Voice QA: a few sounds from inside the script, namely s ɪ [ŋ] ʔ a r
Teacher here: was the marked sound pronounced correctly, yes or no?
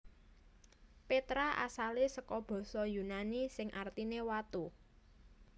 yes